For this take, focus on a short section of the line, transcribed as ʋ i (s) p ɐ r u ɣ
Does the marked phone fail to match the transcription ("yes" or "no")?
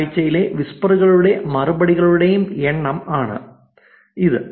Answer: no